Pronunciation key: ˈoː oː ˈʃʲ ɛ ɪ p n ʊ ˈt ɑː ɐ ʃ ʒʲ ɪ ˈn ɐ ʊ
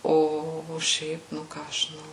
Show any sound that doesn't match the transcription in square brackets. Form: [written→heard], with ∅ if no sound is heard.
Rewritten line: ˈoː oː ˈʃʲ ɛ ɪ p n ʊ [ˈt→ˈk] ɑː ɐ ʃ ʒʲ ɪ ˈn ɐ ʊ